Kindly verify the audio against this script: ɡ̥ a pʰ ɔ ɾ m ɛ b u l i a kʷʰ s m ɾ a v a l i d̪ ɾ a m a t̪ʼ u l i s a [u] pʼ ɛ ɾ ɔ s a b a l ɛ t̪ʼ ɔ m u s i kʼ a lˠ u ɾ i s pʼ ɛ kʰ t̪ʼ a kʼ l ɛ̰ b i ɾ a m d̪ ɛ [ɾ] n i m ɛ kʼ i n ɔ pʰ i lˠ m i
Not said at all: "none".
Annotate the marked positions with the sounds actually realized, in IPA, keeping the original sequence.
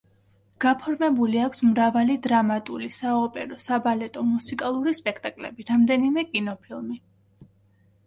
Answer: ɔ, none

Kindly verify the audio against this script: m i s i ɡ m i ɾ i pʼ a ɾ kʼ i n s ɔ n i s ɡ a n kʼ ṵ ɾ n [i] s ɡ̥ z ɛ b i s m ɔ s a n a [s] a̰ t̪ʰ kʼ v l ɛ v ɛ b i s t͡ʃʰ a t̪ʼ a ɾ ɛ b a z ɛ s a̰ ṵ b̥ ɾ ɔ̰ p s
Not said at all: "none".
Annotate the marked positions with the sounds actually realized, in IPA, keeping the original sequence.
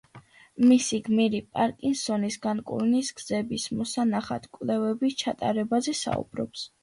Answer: i, χ

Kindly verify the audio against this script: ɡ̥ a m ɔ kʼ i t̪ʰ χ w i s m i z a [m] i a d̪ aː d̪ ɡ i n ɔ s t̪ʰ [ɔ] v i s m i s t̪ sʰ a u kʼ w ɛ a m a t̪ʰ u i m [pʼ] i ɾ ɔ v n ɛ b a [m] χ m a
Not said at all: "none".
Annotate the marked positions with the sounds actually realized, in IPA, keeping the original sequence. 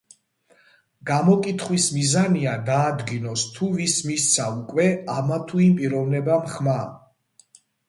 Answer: n, u, pʼ, m

